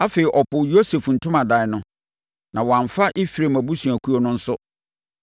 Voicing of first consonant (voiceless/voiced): voiceless